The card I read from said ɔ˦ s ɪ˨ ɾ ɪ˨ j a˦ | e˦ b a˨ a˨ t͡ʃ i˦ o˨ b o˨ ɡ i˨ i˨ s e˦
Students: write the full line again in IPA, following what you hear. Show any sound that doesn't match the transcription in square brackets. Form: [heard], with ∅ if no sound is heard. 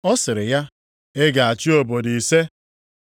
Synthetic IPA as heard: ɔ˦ s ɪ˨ ɾ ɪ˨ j a˦ | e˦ [ɡ] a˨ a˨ t͡ʃ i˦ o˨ b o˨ [d] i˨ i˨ s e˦

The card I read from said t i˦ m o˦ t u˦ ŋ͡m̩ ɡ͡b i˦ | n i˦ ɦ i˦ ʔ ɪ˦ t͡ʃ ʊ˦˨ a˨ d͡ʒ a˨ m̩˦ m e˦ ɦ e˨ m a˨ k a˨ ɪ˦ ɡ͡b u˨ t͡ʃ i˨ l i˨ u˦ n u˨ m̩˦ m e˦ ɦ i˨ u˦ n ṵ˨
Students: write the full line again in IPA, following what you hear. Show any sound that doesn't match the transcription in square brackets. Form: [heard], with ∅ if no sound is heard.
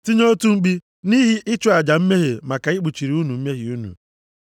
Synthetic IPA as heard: t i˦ [ɲ] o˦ t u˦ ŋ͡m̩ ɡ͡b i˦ | n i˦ ɦ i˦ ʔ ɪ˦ t͡ʃ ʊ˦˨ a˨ d͡ʒ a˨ m̩˦ m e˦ ɦ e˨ m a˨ k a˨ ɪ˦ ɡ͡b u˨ t͡ʃ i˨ [ɾ] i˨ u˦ n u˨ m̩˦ m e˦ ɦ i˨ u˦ n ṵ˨

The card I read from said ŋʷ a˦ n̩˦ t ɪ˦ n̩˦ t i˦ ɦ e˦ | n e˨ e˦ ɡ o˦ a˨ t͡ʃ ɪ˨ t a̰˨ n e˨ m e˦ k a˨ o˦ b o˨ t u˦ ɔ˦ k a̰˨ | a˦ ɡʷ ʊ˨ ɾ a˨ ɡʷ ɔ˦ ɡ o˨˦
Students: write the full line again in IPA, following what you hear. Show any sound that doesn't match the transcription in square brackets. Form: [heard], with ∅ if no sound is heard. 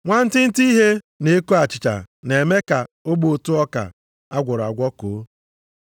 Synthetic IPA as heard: ŋʷ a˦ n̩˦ t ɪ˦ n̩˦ t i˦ ɦ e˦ | n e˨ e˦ [k] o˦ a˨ t͡ʃ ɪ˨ [t͡ʃ] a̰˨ n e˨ m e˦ k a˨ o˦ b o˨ t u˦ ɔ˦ k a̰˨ | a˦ ɡʷ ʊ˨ ɾ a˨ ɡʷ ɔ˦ [k] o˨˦

